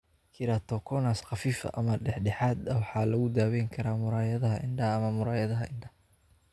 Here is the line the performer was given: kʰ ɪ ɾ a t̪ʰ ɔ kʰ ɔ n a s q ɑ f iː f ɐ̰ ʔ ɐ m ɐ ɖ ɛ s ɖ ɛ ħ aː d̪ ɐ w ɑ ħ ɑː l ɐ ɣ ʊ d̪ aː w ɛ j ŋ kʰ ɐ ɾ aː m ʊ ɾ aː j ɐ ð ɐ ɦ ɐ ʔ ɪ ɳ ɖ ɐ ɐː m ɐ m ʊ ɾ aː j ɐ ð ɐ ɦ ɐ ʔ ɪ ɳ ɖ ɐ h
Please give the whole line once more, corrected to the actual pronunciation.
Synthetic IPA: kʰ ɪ ɾ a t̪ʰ ɔ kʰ ɔ n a s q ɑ f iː f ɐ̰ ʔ ɐ m ɐ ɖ ɛ ħ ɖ ɛ ħ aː d̪ ɐ w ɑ ħ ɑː l ɐ ɣ ʊ d̪ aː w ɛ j ŋ kʰ ɐ ɾ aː m ʊ ɾ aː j ɐ ð ɐ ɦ ɐ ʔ ɪ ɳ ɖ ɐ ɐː m ɐ m ʊ ɾ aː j ɐ ð ɐ ɦ ɐ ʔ ɪ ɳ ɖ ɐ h